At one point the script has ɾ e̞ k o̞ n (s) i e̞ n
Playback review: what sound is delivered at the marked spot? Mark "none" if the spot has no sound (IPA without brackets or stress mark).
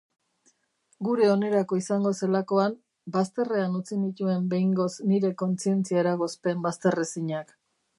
t͡s